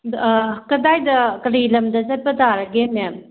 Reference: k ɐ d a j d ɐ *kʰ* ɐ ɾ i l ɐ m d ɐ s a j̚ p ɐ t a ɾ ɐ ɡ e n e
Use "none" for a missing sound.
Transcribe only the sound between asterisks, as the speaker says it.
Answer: k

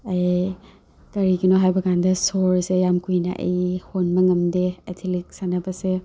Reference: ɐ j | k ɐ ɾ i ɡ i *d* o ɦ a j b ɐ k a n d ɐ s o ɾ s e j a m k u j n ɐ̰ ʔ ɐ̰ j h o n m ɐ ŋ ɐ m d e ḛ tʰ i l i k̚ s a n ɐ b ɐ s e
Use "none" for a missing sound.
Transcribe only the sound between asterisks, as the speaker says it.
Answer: n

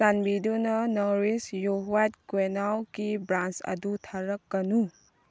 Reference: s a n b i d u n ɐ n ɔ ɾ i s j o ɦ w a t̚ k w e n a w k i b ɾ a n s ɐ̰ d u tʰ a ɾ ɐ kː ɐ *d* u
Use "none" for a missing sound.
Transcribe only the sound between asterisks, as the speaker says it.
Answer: n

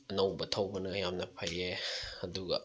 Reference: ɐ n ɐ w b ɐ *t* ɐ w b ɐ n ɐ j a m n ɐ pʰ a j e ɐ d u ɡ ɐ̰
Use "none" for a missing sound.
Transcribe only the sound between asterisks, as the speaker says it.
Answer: tʰ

